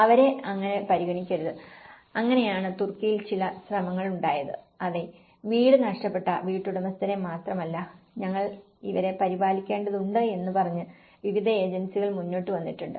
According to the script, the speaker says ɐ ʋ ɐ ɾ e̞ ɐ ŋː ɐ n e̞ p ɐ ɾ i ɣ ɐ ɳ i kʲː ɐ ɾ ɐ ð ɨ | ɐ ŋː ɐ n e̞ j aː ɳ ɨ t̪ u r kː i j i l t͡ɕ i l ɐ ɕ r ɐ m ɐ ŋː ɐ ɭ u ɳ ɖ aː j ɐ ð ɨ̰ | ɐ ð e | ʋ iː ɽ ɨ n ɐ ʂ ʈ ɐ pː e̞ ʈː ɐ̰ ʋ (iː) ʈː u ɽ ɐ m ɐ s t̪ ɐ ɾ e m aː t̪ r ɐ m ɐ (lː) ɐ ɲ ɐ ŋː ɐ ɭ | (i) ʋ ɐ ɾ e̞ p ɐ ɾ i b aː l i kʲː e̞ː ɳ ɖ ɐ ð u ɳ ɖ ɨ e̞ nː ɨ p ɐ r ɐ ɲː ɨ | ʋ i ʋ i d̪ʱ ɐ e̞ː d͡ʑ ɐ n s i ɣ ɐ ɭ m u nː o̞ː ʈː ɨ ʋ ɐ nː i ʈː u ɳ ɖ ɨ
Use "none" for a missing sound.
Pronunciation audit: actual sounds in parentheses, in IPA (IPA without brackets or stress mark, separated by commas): iː, lː, i